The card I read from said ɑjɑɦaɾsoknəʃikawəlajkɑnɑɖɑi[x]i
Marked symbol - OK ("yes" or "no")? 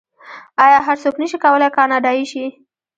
no